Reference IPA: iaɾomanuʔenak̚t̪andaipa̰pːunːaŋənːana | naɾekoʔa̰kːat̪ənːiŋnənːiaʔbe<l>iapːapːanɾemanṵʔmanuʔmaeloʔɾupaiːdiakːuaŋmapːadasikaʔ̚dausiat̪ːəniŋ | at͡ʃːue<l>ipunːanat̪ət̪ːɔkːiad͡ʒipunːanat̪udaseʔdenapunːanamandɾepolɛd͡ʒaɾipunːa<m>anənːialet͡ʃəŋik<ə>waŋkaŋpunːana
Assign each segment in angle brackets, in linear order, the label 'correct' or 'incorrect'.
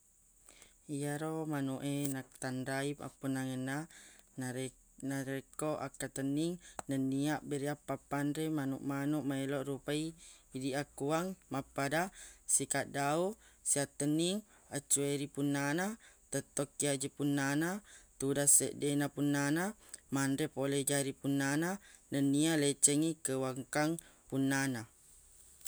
incorrect, incorrect, incorrect, correct

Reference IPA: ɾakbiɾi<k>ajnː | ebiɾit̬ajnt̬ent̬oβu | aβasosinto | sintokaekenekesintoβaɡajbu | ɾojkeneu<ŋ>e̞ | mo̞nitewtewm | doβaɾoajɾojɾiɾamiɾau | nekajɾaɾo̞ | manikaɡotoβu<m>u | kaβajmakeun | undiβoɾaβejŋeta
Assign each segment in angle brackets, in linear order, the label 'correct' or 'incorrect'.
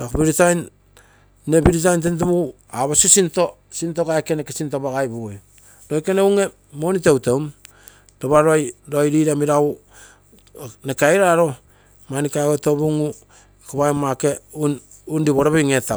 incorrect, correct, incorrect

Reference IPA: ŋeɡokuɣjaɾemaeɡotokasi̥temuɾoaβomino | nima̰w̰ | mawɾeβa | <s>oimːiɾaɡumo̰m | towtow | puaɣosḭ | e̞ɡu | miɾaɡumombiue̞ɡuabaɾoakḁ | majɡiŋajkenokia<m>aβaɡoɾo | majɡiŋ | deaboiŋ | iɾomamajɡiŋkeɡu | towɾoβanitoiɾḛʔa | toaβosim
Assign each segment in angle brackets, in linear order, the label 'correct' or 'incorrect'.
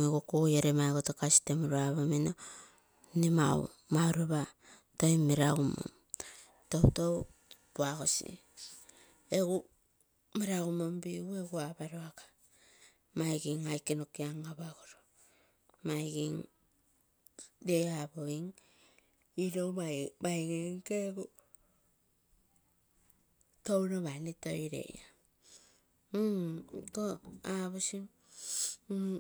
incorrect, incorrect

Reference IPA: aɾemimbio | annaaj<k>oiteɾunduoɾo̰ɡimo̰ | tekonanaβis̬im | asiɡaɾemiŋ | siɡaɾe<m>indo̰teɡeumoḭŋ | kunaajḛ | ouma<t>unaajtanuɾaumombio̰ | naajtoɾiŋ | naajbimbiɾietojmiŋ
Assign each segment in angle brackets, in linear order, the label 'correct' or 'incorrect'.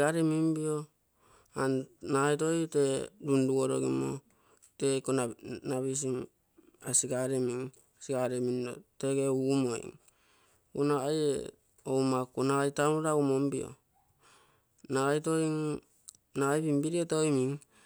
incorrect, correct, incorrect

